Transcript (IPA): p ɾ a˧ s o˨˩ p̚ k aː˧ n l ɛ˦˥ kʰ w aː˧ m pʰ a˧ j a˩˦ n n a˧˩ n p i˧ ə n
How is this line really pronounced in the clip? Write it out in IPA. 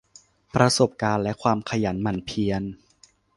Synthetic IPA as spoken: p ɾ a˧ s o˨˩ p̚ k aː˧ n l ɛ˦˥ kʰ w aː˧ m kʰ a˧ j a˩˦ n m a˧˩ n pʰ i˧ ə n